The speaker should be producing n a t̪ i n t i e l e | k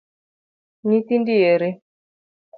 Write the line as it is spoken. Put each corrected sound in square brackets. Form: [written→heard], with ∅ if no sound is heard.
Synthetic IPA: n [a→i] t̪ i n [t→d] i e [l→ɾ] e | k